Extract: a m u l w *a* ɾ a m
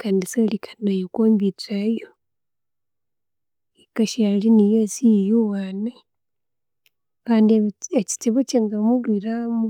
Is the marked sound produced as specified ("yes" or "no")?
no